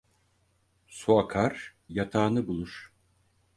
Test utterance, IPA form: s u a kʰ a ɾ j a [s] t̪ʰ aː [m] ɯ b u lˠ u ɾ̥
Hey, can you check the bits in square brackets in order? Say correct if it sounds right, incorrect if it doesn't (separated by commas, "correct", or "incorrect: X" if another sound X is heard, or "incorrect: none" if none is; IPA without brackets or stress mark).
incorrect: none, incorrect: n